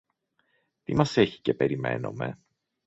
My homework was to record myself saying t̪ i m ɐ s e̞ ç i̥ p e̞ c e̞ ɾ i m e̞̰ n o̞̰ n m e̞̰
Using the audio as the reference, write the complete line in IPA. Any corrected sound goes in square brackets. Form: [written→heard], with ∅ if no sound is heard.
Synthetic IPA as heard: t̪ i m ɐ s e̞ ç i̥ [p→c] e̞ [c→p] e̞ ɾ i m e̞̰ n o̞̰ [n→∅] m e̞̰